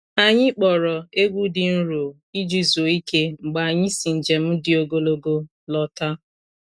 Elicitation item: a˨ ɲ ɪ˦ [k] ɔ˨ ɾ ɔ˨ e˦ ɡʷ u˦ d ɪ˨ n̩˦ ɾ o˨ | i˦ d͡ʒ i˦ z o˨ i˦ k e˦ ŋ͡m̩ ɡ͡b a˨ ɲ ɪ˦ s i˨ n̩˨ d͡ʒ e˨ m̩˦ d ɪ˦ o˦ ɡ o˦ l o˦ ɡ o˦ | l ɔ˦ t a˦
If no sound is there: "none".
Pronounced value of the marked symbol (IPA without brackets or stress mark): k͡p